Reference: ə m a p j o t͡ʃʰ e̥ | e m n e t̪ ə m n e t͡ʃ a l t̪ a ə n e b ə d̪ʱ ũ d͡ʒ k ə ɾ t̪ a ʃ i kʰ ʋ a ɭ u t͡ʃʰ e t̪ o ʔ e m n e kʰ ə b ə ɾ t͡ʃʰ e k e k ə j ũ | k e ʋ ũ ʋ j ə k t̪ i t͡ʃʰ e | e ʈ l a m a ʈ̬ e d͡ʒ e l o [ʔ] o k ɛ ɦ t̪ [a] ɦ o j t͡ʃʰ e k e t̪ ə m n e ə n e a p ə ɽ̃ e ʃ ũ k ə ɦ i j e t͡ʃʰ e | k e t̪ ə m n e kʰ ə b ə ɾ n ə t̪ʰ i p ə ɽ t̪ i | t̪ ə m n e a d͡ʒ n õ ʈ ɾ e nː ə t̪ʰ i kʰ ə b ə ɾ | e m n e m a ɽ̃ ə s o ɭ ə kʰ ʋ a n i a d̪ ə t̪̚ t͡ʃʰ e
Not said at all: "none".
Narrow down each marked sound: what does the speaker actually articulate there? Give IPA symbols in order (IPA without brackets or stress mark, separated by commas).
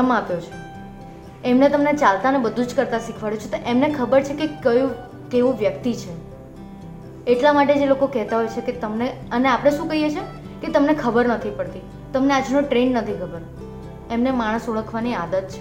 k, a